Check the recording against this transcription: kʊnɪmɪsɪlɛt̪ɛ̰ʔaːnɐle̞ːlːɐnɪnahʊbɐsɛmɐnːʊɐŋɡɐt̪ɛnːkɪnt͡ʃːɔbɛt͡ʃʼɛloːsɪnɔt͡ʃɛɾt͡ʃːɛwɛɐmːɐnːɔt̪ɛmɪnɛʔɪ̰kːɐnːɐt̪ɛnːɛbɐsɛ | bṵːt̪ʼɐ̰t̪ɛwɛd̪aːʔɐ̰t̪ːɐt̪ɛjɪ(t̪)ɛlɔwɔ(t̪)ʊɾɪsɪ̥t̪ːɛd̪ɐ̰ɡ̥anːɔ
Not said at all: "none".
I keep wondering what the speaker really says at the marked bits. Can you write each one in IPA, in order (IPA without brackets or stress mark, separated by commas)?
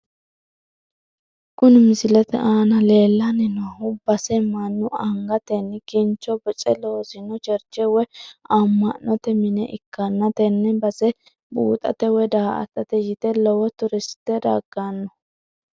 t̪, t̪